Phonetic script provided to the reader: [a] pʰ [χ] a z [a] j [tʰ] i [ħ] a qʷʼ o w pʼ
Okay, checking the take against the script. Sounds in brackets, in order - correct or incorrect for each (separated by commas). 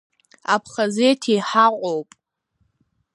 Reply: correct, correct, incorrect, correct, correct